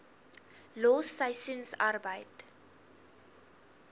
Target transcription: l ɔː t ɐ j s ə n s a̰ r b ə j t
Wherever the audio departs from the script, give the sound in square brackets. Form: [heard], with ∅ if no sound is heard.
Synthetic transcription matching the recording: l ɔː [s] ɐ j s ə n s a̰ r b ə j t